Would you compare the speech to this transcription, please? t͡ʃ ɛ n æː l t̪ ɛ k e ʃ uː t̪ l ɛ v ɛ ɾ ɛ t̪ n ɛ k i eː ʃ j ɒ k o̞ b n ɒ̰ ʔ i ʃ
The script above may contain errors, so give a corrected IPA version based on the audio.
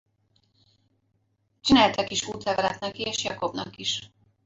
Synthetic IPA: t͡ʃ i n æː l t̪ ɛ k i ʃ uː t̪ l ɛ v ɛ ɾ ɛ t̪ n ɛ k i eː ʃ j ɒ k o̞ b n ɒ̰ k i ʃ

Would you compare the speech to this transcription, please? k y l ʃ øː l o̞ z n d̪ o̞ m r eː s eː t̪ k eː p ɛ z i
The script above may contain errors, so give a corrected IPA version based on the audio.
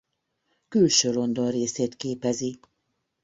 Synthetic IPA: k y l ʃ øː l o̞ n d̪ o̞ n r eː s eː t̪ k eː p ɛ z i

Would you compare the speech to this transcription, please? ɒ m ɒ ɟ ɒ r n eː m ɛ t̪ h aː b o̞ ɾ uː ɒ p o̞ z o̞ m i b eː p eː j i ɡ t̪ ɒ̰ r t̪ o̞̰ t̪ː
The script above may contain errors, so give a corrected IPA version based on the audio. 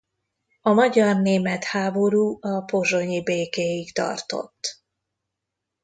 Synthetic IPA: ɒ m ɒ ɟ ɒ r n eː m ɛ t̪ h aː b o̞ ɾ uː ɒ p o̞ ʒ o̞ ɲ i b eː k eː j i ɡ t̪ ɒ̰ r t̪ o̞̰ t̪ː

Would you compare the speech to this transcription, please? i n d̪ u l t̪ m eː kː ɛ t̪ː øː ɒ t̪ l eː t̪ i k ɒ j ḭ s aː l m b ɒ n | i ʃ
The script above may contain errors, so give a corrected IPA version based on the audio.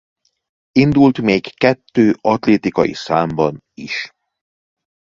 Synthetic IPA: i n d̪ u l t̪ m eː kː ɛ t̪ː øː ɒ t̪ l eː t̪ i k ɒ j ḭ s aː m b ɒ n | i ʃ

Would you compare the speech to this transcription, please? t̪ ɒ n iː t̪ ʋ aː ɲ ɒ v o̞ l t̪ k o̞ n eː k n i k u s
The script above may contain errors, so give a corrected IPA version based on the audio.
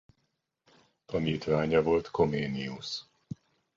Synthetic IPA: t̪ ɒ n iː t̪ ʋ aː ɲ ɒ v o̞ l t̪ k o̞ m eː n i u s

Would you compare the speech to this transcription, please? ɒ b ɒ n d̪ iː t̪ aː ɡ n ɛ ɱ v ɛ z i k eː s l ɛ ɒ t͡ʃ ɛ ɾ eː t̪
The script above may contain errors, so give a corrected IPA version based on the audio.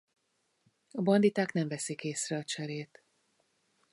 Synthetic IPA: ɒ b ɒ n d̪ i t̪ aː k n ɛ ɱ v ɛ s i k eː s r ɛ ɒ t͡ʃ ɛ ɾ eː t̪

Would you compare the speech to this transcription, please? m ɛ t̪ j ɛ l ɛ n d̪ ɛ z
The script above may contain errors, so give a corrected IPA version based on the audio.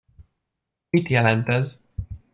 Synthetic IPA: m i t̪ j ɛ l ɛ n t̪ ɛ z

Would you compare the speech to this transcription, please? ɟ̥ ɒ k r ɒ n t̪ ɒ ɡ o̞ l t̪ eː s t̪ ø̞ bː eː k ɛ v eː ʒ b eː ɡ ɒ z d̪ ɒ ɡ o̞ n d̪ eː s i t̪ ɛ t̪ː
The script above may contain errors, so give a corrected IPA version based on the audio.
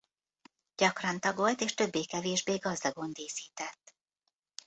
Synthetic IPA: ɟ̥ ɒ k r ɒ n t̪ ɒ ɡ o̞ l t̪ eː ʃ t̪ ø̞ bː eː k ɛ v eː ʒ b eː ɡ ɒ z d̪ ɒ ɡ o̞ n d̪ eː s iː t̪ ɛ t̪ː

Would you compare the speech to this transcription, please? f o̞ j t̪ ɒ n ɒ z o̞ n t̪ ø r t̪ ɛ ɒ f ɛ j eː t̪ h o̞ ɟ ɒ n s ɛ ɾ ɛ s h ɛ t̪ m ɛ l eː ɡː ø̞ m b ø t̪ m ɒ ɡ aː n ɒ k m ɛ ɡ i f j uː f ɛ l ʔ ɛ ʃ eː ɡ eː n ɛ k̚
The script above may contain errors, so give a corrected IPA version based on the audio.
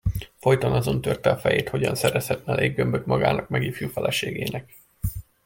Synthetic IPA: f o̞ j t̪ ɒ n ɒ z o̞ n t̪ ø r t̪ ɛ ɒ f ɛ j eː t̪ h o̞ ɟ ɒ n s ɛ ɾ ɛ s h ɛ t̪ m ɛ l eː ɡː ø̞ m b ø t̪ m ɒ ɡ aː n ɒ k m ɛ ɡ i f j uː f ɛ l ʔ ɛ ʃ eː ɡ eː n ɛ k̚

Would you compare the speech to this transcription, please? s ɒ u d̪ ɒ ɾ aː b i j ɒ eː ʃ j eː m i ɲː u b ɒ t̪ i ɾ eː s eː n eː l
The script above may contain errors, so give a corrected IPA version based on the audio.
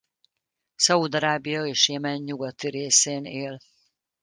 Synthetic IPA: s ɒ u d̪ ɒ ɾ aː b i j ɒ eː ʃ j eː m ɛ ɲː u ɡ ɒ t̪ i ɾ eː s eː n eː l

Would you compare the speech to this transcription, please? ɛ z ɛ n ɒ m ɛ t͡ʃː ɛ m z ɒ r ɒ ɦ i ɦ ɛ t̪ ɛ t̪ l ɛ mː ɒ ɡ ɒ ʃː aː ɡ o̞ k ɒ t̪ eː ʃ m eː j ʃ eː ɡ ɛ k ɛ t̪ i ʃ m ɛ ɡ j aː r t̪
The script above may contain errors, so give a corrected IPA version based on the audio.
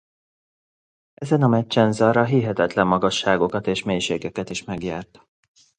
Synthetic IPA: ɛ z ɛ n ɒ m ɛ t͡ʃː ɛ n z ɒ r ɒ ɦ i ɦ ɛ t̪ ɛ t̪ l ɛ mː ɒ ɡ ɒ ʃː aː ɡ o̞ k ɒ t̪ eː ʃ m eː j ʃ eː ɡ ɛ k ɛ t̪ i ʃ m ɛ ɡ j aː r t̪

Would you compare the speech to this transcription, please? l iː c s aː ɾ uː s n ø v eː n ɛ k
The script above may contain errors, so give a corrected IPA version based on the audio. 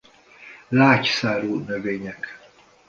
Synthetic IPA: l aː c s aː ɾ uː n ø v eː ɲ ɛ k

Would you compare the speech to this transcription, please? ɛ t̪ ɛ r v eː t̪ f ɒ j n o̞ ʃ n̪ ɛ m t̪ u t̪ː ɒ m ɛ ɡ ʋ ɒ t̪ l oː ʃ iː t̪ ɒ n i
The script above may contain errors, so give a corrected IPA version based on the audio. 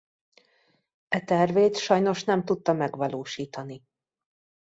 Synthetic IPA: ɛ t̪ ɛ r v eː t̪ ʃ ɒ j n o̞ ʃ n̪ ɛ m t̪ u t̪ː ɒ m ɛ ɡ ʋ ɒ l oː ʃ iː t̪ ɒ n i

